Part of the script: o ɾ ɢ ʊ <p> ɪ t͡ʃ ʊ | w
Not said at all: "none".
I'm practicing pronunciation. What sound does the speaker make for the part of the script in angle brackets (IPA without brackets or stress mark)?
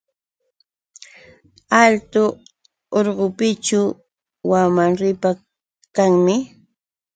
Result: p